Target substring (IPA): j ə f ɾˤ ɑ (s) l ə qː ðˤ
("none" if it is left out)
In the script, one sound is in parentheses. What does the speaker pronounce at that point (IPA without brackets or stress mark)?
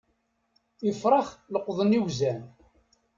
χ